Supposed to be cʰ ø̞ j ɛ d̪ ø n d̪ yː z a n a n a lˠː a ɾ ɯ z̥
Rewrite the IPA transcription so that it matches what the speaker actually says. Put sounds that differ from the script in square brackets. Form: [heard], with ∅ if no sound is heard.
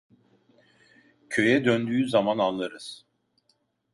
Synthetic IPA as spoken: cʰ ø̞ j ɛ d̪ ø n d̪ yː z a [m] a n a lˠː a ɾ ɯ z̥